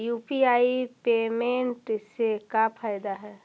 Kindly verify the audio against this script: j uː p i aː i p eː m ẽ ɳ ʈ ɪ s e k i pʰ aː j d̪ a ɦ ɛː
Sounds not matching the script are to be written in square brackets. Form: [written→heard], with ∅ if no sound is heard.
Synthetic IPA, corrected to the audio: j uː p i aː i p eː m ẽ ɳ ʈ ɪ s e k [i→a] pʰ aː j d̪ a ɦ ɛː